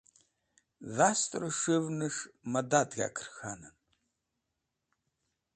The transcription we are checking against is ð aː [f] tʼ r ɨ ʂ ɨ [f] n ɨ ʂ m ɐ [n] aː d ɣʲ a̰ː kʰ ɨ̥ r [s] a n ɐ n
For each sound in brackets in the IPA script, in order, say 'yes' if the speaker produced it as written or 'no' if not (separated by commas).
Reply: no, no, no, no